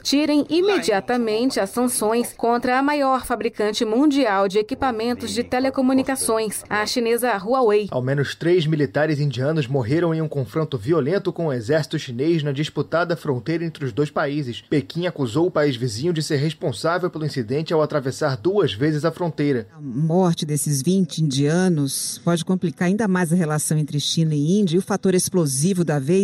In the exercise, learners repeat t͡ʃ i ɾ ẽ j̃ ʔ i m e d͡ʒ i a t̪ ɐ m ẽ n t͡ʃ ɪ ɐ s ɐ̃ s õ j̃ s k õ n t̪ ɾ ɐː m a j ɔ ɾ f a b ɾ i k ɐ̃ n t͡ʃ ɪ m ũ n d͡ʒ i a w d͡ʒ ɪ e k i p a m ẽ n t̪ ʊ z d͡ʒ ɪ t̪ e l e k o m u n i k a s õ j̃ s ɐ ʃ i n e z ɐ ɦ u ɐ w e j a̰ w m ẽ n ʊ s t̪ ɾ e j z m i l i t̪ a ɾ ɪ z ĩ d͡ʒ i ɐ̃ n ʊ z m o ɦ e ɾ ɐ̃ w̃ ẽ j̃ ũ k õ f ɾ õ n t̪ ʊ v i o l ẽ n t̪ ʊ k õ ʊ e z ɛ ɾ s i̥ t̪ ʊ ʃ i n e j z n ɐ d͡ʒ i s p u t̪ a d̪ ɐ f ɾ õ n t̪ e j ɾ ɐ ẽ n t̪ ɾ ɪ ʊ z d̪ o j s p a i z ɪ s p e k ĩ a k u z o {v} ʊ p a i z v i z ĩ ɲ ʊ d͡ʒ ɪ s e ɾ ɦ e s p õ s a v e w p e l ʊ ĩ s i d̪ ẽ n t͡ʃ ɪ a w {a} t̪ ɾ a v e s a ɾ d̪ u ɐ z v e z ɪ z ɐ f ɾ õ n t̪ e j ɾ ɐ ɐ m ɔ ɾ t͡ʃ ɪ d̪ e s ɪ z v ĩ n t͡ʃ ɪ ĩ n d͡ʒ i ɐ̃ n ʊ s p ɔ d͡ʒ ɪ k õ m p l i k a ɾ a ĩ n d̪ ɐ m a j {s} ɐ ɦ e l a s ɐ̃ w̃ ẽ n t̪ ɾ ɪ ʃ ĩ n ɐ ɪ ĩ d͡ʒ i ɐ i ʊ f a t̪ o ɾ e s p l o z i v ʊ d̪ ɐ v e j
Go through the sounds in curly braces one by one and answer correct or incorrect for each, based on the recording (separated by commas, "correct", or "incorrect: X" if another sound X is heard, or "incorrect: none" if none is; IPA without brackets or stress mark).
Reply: incorrect: w, correct, incorrect: z